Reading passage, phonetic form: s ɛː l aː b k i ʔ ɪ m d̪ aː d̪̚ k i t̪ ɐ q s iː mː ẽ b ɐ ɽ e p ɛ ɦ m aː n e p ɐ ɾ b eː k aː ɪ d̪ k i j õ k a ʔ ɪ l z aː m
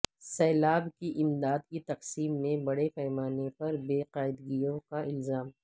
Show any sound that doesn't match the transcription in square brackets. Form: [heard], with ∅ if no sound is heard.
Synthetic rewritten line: s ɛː l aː b k i ʔ ɪ m d̪ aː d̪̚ k i t̪ ɐ q s iː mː ẽ b ɐ ɽ e p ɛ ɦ m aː n e p ɐ ɾ b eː [q] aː ɪ d̪ [ɡ] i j õ k a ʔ ɪ l z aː m